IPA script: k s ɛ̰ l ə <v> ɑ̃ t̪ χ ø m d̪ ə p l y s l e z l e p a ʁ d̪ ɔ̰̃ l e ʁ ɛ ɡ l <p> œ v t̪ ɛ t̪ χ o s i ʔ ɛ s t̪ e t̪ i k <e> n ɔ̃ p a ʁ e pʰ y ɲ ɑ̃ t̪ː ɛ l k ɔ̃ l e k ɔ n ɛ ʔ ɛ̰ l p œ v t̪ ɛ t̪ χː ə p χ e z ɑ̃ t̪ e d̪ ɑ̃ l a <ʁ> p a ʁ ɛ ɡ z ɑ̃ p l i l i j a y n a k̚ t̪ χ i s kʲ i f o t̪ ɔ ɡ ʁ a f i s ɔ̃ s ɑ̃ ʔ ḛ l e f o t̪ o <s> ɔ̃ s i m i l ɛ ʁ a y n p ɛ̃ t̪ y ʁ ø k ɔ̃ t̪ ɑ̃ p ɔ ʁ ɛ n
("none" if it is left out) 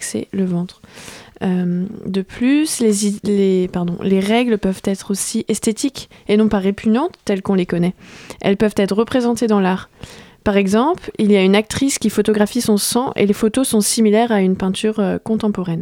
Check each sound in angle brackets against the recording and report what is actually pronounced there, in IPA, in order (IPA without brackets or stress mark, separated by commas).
v, p, e, ʁ, s